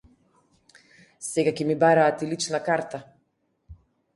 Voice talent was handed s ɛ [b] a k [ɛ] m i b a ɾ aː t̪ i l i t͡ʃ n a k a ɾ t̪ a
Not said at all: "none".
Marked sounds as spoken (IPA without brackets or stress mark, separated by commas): ɡ, ɛ